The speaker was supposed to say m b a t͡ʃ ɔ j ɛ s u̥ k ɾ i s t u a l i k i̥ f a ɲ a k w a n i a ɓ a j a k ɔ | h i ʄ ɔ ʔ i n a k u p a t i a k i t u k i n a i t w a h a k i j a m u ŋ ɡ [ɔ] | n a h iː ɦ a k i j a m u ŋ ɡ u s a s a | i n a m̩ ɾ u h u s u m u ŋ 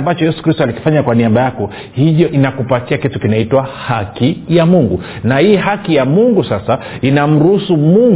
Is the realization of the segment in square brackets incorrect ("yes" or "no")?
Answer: yes